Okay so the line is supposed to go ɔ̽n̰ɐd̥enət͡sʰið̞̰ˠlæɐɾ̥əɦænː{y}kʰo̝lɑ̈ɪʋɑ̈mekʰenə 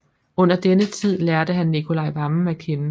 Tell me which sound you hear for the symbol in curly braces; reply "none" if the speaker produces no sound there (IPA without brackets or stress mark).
i